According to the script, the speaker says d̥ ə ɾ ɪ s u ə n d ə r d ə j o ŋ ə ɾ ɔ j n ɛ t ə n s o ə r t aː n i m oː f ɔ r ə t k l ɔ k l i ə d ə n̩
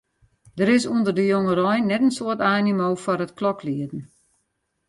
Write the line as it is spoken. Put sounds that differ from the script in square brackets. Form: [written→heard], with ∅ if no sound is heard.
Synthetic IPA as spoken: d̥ ə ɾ ɪ s u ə n d ə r d ə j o ŋ ə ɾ ɔ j n ɛ t ə n s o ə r t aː n i m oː f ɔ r ə t k l ɔ k l i ə d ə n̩